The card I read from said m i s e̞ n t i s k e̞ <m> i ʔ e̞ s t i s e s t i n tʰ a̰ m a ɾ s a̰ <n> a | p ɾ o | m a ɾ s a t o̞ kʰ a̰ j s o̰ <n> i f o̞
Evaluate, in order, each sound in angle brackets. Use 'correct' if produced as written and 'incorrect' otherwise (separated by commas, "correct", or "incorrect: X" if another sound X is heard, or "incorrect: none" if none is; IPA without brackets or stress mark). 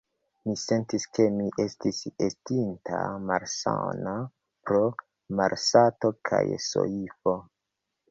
correct, correct, incorrect: none